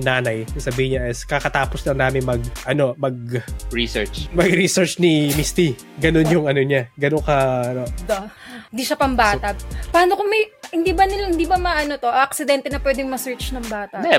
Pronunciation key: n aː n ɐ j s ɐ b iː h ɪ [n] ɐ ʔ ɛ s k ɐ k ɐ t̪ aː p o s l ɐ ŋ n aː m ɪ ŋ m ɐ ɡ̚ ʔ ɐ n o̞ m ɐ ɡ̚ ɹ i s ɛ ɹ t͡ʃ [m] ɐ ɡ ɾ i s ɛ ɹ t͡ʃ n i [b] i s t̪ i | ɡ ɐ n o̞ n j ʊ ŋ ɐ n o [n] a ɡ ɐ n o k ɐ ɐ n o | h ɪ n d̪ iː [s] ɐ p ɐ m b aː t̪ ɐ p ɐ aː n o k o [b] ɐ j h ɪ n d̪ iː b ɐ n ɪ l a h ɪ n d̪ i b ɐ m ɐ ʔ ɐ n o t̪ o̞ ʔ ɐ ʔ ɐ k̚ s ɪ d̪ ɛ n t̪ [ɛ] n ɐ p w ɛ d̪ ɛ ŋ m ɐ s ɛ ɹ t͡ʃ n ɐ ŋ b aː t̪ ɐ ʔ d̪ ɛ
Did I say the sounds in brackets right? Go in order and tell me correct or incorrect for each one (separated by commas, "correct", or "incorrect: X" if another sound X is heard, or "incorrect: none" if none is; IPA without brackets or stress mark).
incorrect: ɲ, correct, incorrect: m, incorrect: ɲ, incorrect: ʃ, incorrect: m, correct